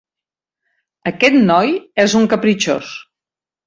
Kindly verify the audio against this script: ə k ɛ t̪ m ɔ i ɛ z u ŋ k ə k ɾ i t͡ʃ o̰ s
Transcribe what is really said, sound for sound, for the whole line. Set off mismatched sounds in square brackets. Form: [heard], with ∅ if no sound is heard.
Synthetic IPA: ə k ɛ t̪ [n] ɔ [j] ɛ z u ŋ k ə [p] ɾ i t͡ʃ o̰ s